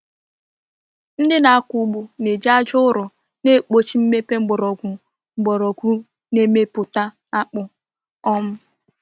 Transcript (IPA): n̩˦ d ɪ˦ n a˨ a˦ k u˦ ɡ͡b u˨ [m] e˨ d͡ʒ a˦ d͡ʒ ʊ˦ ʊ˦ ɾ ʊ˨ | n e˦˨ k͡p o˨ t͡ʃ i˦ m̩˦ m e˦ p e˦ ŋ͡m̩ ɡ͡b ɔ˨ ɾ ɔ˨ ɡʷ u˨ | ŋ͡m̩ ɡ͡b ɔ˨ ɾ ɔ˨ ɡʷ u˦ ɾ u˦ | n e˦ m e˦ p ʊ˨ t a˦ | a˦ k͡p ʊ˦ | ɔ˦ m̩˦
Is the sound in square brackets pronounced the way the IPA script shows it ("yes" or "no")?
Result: no